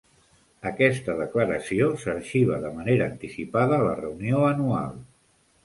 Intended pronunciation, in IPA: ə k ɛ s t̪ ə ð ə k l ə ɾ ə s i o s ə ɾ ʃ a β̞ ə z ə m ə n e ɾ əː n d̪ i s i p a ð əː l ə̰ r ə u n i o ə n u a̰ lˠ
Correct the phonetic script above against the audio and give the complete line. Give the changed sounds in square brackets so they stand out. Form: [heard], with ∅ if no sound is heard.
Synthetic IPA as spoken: ə k ɛ s t̪ ə ð ə k l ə ɾ ə s i o s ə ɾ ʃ [i] β̞ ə [ð] ə m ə n e ɾ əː n [t̪] i s i p a ð əː l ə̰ r ə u n i o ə n u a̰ lˠ